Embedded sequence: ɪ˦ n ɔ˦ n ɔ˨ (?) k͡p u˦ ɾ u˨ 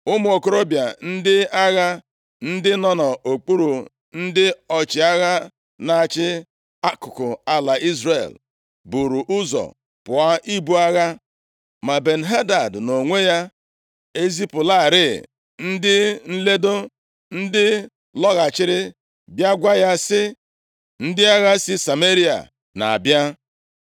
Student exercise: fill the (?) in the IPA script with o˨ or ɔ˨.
o˨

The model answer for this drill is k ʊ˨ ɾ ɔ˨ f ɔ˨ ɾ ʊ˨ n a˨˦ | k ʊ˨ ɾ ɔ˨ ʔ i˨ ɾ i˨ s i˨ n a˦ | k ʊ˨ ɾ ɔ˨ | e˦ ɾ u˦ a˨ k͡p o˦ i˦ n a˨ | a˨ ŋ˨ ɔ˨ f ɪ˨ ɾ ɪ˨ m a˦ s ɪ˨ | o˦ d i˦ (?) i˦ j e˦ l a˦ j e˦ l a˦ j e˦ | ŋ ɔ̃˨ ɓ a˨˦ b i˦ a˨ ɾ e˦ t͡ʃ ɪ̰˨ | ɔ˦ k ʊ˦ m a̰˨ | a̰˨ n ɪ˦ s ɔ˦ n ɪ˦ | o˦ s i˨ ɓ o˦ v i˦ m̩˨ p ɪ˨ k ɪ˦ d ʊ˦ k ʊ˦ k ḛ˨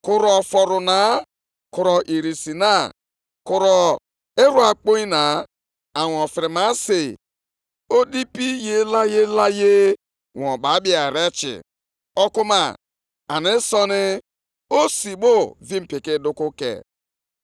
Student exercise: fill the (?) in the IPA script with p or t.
p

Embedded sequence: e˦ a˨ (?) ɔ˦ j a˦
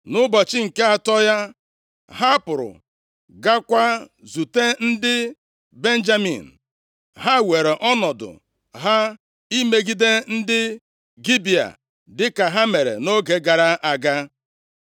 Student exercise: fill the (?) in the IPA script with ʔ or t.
t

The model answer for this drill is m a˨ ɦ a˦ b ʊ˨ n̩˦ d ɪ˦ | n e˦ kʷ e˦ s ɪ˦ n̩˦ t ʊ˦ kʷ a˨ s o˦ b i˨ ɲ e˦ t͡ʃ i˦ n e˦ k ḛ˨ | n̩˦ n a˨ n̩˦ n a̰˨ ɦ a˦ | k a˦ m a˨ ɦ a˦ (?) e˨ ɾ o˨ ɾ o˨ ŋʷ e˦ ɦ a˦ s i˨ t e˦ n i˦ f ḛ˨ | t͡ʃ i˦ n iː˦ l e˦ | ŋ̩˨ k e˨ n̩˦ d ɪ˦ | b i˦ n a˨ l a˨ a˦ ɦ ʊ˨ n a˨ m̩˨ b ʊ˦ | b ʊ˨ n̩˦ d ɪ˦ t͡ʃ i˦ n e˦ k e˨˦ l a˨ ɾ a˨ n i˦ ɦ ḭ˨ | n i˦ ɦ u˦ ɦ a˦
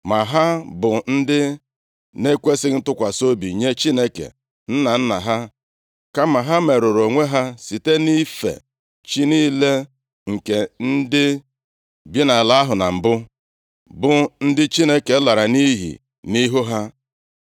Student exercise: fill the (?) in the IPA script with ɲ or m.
m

